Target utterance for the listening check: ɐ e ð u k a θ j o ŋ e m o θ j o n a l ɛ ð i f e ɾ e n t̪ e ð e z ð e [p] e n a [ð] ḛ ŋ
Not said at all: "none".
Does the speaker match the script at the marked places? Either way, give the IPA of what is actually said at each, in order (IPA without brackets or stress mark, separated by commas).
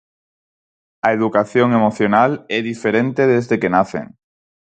k, θ